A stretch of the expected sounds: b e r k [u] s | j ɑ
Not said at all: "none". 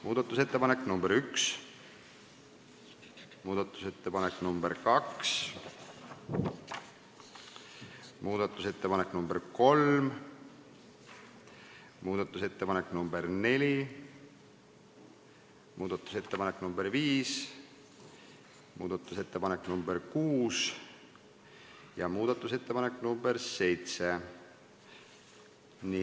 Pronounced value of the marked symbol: uː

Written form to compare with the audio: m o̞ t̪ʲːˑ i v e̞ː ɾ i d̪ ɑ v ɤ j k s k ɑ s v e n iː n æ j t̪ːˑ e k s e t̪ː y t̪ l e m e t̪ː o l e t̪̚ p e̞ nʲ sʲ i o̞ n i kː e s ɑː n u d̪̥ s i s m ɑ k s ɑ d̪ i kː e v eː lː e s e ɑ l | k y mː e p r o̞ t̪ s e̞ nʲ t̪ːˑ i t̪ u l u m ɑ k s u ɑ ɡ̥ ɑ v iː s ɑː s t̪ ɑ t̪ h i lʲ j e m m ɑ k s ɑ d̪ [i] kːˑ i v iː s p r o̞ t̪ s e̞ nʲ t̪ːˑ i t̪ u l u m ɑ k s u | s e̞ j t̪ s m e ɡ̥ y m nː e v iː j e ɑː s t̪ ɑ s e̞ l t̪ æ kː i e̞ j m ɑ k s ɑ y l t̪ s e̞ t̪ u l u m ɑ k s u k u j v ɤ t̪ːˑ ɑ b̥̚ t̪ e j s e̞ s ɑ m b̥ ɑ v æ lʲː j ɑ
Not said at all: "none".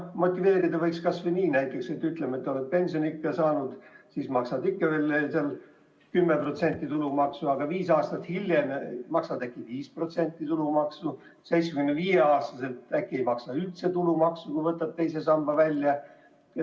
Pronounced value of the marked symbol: æ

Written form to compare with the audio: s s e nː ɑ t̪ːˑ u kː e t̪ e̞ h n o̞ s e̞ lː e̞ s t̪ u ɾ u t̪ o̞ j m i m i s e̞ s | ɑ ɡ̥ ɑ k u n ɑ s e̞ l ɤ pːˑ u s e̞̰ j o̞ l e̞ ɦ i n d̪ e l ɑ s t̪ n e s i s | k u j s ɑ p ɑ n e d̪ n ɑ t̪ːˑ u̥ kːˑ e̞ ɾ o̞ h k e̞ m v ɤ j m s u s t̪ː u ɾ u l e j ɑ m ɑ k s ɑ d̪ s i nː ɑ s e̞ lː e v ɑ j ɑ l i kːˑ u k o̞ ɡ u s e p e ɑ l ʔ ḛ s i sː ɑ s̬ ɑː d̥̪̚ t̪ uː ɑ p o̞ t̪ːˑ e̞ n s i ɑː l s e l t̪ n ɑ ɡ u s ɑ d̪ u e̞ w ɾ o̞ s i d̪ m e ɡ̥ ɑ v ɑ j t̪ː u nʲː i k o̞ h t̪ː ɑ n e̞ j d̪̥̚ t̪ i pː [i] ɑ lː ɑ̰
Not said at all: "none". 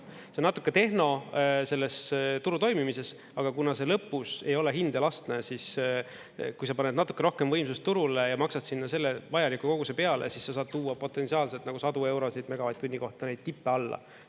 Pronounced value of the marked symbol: e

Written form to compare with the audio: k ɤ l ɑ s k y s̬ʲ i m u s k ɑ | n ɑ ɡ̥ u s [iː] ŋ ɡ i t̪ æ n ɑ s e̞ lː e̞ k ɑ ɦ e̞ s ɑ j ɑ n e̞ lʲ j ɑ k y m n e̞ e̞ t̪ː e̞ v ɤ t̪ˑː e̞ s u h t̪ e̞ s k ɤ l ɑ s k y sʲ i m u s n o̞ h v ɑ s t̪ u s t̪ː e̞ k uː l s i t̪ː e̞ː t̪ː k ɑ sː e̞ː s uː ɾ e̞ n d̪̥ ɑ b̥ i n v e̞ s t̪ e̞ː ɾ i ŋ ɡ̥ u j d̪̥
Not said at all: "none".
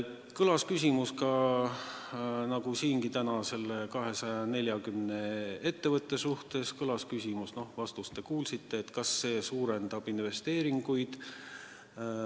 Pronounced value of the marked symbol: iː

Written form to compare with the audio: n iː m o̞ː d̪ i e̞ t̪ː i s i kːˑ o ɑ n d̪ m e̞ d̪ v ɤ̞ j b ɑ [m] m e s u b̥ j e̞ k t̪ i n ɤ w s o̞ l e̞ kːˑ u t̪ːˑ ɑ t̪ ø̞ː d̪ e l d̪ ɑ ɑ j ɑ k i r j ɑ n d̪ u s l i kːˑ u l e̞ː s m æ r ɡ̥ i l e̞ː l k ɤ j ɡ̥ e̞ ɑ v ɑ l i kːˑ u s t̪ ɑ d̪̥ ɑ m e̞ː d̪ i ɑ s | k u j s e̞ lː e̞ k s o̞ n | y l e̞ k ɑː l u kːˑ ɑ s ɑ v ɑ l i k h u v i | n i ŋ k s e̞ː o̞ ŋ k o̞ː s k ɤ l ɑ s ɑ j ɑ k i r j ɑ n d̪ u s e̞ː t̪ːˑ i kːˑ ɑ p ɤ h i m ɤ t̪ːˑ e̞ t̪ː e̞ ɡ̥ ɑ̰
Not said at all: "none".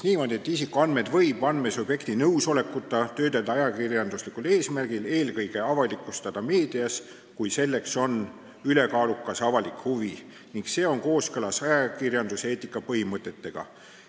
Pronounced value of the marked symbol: n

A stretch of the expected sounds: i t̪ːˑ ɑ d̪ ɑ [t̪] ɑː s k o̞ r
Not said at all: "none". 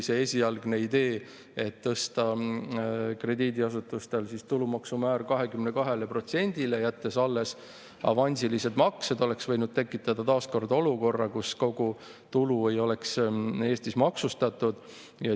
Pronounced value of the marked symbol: t̪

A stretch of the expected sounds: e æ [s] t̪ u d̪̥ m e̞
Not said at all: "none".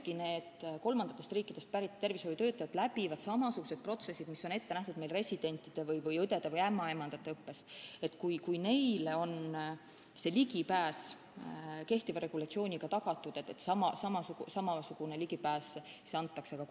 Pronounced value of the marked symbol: h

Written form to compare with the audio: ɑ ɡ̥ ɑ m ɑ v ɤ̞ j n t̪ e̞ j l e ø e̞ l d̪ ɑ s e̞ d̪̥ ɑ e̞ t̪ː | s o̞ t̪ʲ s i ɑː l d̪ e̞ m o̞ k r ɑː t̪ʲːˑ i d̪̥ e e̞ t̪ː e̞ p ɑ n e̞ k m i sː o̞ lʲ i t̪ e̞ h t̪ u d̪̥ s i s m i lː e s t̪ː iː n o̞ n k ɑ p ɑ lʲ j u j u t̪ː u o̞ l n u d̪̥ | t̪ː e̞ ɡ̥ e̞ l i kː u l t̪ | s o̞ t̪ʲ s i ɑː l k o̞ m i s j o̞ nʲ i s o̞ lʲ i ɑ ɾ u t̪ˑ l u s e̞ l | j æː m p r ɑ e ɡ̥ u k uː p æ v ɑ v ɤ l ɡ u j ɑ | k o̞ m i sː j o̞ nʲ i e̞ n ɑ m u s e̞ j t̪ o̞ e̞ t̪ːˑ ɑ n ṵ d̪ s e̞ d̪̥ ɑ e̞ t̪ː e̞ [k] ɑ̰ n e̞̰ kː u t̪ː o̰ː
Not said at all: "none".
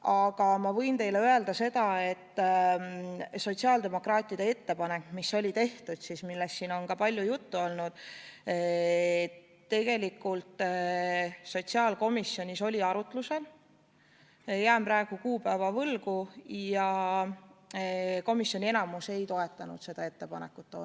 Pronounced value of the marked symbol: p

